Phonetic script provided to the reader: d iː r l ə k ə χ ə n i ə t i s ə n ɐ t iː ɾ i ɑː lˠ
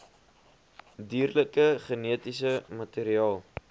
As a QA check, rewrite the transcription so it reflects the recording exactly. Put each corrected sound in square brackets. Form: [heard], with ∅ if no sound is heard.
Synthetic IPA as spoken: d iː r l ə k ə χ ə n i ə t i s ə [m] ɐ t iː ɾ i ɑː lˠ